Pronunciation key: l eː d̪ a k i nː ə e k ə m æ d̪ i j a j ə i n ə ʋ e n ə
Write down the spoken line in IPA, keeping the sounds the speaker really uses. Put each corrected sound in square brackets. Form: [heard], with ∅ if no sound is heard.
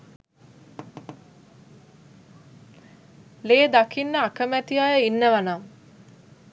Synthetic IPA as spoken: l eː d̪ a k i nː ə [a] k ə m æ [t̪] i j a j ə i [nː] ə ʋ [a] n [a]